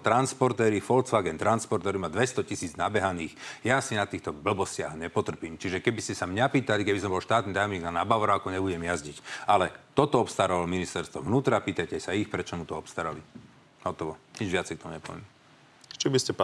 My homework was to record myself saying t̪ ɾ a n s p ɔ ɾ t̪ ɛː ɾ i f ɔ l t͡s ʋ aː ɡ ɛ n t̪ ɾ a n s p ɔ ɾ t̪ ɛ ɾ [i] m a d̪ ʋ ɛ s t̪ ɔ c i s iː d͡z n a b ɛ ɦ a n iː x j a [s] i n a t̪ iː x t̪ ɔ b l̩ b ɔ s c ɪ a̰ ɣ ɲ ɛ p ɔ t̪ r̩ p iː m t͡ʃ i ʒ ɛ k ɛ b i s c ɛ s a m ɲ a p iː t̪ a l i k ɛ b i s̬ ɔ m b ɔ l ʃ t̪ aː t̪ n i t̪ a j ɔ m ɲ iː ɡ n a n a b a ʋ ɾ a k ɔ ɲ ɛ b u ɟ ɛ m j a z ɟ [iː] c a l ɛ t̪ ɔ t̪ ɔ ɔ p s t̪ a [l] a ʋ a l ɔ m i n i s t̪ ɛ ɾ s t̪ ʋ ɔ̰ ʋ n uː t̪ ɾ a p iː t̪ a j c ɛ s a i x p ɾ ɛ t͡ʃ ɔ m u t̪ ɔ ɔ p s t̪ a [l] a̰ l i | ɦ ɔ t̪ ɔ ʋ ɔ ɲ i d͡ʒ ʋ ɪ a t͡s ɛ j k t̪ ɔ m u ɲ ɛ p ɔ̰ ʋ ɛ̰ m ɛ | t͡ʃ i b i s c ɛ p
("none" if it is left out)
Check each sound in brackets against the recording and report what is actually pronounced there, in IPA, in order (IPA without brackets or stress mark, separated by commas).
i, s, i, ɾ, ɾ